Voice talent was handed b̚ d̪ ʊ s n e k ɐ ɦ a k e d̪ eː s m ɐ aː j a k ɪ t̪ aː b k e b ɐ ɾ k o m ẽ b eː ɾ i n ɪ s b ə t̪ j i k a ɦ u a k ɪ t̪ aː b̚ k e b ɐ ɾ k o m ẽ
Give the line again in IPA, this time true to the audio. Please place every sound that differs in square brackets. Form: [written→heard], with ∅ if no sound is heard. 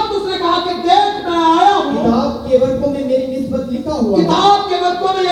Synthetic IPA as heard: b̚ [d̪→t̪] ʊ s n e k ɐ ɦ a k e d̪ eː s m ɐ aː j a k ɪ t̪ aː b k e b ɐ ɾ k o m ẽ [b→m] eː ɾ i n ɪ s b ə t̪ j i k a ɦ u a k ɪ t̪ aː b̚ k e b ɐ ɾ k o m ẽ